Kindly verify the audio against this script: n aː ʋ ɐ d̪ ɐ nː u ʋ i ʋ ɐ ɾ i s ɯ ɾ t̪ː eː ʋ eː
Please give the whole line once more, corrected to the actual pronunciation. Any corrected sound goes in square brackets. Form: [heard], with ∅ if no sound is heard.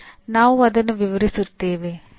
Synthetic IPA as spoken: n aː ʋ ɐ d̪ ɐ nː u ʋ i ʋ ɐ ɾ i s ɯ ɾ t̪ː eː ʋ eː